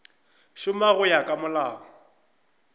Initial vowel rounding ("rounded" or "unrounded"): rounded